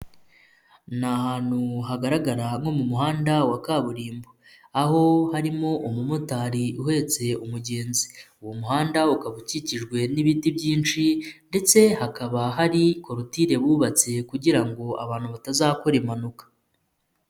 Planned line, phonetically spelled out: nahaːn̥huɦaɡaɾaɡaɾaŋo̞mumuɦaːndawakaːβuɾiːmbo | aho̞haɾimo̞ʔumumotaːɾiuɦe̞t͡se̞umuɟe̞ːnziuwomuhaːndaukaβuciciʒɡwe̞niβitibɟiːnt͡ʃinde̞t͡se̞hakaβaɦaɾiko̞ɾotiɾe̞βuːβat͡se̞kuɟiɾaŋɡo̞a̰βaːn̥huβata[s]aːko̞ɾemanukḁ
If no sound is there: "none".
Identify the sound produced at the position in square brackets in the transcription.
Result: z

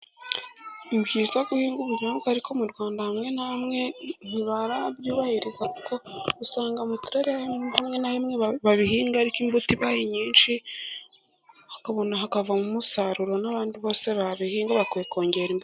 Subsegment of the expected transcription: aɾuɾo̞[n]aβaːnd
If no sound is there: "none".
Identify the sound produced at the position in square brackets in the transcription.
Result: n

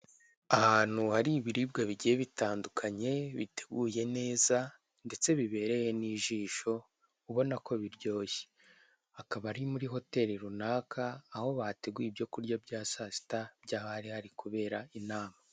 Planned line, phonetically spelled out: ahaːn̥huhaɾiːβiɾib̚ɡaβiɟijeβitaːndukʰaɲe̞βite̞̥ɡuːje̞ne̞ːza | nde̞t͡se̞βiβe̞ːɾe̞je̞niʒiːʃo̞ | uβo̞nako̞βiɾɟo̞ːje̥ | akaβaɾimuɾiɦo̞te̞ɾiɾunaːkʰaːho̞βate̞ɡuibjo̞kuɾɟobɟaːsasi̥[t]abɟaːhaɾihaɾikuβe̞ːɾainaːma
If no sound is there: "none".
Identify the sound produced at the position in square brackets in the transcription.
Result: t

